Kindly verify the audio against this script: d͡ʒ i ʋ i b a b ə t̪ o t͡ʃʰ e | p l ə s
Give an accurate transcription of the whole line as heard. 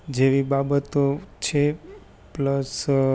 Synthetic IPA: d͡ʒ e ʋ i b a b ə t̪ o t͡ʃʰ e | p l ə s